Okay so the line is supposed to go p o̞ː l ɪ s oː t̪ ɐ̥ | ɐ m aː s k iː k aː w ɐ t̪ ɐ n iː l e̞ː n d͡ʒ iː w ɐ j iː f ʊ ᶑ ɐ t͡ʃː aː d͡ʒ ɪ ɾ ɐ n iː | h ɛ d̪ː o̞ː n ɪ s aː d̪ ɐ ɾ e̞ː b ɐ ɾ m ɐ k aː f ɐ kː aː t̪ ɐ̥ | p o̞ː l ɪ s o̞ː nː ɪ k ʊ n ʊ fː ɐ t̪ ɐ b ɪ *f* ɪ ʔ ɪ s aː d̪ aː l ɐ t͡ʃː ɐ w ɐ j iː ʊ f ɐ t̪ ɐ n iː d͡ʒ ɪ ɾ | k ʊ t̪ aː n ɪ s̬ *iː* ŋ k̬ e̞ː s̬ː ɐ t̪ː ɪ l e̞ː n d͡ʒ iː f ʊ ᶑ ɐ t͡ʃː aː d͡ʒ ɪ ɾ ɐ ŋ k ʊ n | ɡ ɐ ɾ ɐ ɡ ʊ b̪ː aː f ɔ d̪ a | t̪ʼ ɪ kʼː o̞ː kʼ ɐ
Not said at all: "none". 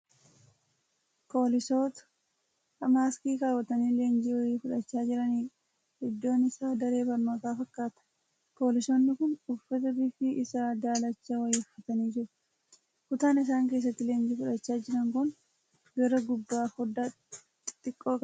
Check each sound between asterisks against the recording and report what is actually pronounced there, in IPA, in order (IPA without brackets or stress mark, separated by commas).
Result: f, aː